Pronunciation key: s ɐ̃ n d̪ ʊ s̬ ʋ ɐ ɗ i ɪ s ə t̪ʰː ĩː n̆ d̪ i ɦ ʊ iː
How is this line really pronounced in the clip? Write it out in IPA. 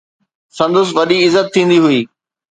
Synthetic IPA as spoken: s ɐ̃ n d̪ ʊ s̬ ʋ ɐ ɗ i ɪ z ə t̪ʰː ĩː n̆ d̪ i ɦ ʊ iː